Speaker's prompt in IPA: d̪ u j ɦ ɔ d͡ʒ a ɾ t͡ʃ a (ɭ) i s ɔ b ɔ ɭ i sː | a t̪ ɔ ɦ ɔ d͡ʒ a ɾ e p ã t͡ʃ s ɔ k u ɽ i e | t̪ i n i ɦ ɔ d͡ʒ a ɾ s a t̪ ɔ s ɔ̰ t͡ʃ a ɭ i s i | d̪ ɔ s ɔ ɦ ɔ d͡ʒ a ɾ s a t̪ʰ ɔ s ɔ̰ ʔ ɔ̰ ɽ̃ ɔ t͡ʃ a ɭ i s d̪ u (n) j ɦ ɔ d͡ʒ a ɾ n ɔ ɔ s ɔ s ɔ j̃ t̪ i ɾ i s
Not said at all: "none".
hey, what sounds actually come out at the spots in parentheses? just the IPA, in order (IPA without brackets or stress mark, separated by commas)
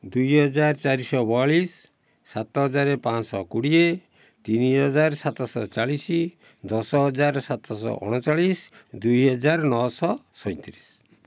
ɾ, none